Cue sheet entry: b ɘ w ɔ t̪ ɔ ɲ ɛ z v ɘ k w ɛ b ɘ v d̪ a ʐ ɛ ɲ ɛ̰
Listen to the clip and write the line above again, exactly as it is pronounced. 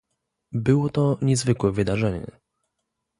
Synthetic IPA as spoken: b ɘ w ɔ t̪ ɔ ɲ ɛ z v ɘ k w ɛ v ɘ d̪ a ʐ ɛ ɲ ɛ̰

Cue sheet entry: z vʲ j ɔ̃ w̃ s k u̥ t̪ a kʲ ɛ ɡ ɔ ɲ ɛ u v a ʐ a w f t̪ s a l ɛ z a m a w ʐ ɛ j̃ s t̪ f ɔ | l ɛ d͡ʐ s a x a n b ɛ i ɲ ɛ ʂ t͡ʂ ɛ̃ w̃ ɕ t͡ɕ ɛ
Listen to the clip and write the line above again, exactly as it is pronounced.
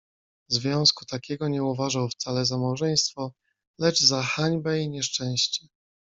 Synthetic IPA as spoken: z vʲ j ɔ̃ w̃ s k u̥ t̪ a kʲ ɛ ɡ ɔ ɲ ɛ u v a ʐ a w f t̪ s a l ɛ z a m a w ʐ ɛ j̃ s t̪ f ɔ | l ɛ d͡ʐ z a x a ɲ b ɛ i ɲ ɛ ʂ t͡ʂ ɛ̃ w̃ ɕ t͡ɕ ɛ

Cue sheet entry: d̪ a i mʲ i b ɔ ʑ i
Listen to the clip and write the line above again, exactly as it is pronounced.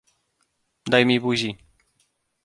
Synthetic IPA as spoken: d̪ a j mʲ i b u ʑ i

